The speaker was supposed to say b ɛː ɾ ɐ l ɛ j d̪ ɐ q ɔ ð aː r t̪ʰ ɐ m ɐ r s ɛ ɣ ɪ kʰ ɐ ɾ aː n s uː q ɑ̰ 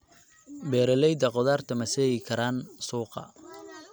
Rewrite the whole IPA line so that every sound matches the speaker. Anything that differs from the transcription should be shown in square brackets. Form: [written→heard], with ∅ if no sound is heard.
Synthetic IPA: b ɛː ɾ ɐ l ɛ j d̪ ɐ q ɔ ð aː r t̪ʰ ɐ m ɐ [r→∅] s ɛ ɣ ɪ kʰ ɐ ɾ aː n s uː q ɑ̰